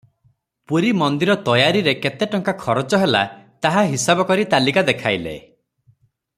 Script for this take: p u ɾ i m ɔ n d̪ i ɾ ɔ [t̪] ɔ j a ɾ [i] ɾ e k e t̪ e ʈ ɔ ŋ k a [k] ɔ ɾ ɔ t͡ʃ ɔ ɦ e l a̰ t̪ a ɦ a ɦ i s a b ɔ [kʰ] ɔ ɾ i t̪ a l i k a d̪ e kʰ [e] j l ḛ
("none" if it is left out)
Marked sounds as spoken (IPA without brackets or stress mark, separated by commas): t̪, i, kʰ, k, a